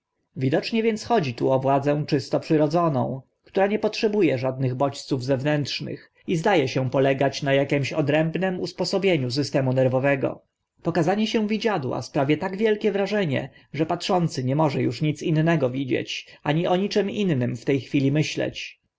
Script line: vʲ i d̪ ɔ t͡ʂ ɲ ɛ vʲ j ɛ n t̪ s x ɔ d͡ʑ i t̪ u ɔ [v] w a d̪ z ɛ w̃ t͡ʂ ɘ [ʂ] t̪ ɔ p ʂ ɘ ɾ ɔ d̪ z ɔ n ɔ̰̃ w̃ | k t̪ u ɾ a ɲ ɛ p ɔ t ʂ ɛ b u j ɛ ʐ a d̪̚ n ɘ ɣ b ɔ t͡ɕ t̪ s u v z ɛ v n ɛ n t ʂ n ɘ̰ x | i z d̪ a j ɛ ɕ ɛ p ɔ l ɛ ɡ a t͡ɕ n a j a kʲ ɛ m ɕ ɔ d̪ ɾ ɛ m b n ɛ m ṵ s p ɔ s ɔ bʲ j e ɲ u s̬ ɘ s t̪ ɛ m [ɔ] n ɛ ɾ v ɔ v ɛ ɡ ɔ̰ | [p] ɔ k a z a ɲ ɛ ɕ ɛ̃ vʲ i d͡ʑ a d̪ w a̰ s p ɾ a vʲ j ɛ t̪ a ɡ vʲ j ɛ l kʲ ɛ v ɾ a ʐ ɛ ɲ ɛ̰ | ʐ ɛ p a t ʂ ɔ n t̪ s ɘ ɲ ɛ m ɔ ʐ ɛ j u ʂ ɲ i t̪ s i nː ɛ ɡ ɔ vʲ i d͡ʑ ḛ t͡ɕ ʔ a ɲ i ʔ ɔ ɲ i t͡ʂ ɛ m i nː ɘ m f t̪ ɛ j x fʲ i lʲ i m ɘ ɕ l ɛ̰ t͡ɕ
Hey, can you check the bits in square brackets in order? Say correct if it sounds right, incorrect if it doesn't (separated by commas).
correct, incorrect, incorrect, correct